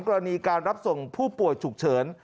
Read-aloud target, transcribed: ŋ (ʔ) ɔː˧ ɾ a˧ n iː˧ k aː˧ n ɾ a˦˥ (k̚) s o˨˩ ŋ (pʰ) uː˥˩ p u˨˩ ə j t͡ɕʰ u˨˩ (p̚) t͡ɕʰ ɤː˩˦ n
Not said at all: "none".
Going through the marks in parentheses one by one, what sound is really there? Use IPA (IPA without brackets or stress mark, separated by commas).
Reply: k, p̚, pʰ, k̚